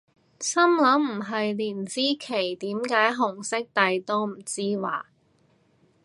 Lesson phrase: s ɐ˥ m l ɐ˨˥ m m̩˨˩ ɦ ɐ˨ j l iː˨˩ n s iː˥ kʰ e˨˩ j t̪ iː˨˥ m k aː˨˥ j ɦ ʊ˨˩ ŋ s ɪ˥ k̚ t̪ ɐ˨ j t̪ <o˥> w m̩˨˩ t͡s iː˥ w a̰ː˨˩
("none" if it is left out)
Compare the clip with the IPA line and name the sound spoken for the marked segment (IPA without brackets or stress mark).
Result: o˥